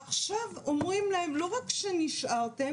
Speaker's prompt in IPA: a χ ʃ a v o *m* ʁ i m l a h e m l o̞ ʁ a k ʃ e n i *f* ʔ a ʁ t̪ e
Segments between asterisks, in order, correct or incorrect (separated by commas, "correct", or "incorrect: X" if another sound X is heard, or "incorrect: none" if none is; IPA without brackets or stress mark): correct, incorrect: ʃ